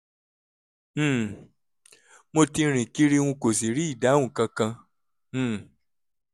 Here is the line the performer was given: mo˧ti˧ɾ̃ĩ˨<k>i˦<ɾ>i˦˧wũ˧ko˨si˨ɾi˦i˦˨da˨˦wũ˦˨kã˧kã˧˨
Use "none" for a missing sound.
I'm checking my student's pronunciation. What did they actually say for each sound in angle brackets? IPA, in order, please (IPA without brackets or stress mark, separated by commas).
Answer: k, ɾ